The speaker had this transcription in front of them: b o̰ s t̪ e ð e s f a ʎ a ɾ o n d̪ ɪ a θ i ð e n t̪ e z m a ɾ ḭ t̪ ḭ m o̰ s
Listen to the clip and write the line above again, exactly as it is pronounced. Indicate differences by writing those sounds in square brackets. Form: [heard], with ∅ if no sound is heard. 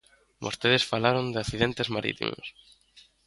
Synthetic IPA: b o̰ s t̪ e ð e s f a [l] a ɾ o n d̪ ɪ a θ i ð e n t̪ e z m a ɾ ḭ t̪ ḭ m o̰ s